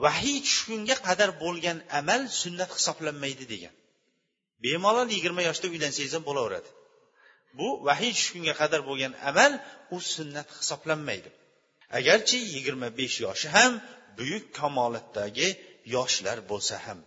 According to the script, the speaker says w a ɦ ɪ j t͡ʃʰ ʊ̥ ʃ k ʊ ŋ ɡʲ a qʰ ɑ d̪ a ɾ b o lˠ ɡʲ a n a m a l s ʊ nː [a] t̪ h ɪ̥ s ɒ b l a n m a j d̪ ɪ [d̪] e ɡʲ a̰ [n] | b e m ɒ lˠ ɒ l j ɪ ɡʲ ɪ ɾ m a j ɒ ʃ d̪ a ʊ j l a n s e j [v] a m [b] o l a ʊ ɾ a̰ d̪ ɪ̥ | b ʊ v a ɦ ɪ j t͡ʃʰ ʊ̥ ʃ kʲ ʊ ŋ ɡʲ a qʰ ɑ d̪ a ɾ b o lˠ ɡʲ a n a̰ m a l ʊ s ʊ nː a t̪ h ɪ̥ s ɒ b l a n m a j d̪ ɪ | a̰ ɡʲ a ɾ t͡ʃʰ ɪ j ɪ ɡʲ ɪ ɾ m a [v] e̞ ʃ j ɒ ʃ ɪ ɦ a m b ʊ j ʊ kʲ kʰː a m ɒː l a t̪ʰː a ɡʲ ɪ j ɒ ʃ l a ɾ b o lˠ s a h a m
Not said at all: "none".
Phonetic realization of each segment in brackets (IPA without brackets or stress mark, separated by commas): a, d̪, n, z, b, b